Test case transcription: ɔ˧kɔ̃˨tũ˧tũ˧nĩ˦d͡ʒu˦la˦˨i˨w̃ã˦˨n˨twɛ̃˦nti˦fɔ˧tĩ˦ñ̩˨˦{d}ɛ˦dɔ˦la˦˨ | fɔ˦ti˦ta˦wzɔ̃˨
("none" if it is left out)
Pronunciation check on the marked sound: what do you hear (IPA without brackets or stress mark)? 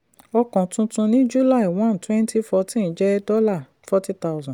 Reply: d͡ʒ